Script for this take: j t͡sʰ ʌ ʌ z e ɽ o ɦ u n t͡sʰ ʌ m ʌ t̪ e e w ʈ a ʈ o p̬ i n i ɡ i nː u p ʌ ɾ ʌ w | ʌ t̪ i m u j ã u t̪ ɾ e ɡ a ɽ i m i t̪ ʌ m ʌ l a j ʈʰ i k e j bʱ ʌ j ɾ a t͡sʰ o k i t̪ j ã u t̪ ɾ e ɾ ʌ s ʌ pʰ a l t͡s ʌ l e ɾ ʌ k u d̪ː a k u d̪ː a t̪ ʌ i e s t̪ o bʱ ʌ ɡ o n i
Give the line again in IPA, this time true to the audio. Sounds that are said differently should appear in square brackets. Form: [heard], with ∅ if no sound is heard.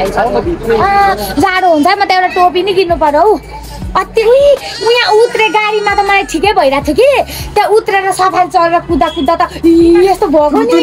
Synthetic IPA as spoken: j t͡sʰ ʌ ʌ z [a] ɽ o ɦ u n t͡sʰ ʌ m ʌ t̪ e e w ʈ a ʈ o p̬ i n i ɡ i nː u p ʌ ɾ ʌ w | ʌ t̪ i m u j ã u t̪ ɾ e ɡ a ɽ i m [a] t̪ ʌ m ʌ l a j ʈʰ i k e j bʱ ʌ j ɾ a t͡sʰ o k i t̪ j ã u t̪ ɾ e ɾ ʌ s ʌ pʰ a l t͡s ʌ l e ɾ ʌ k u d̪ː a k u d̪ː a t̪ ʌ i e s t̪ o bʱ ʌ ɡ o n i